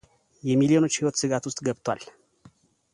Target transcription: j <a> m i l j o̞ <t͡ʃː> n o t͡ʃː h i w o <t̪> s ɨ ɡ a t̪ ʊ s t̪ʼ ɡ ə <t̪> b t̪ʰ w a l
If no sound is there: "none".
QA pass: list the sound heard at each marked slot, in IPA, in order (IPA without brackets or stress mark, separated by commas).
ɛ, none, t̪, none